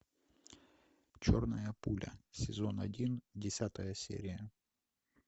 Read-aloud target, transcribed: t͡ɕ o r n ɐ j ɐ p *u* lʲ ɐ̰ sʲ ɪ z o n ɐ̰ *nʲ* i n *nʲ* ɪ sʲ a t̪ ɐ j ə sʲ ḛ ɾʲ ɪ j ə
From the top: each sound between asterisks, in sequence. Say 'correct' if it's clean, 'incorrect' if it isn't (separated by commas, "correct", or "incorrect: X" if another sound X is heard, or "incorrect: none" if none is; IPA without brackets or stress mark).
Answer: correct, incorrect: dʲ, incorrect: dʲ